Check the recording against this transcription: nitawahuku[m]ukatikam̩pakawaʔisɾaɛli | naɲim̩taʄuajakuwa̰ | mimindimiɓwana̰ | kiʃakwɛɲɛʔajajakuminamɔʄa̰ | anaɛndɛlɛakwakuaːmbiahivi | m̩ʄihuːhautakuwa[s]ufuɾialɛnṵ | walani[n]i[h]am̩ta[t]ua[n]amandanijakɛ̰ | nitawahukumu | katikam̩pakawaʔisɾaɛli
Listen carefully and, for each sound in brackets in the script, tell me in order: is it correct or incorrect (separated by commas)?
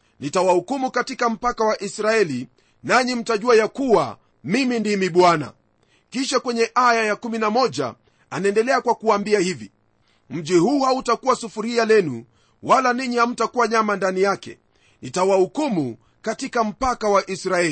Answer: correct, correct, incorrect, correct, incorrect, incorrect